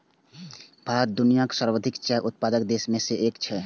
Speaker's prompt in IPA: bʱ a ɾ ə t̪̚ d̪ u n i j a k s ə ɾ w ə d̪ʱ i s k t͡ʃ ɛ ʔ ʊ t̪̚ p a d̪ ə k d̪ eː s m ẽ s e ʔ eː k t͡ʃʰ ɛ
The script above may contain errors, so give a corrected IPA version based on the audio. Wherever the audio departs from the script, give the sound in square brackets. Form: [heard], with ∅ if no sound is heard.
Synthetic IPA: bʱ a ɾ ə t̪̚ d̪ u n i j a k s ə ɾ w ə d̪ʱ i [∅] k t͡ʃ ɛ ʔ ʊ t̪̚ p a d̪ ə k d̪ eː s m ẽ s e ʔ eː k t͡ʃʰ ɛ